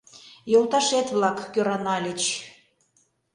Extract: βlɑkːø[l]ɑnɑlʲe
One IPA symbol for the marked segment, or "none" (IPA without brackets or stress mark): ɾ